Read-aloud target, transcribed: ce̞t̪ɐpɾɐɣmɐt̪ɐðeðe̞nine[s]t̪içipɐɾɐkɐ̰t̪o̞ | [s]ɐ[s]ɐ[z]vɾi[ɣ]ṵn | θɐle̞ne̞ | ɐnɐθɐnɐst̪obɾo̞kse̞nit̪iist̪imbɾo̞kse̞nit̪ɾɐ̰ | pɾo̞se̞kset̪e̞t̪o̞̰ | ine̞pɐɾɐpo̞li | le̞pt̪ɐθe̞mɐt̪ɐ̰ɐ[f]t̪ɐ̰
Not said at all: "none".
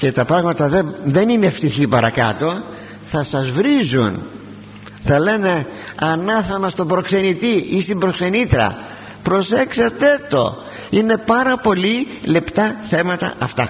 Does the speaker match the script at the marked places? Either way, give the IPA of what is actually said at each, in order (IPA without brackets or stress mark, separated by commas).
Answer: f, θ, s, z, z, f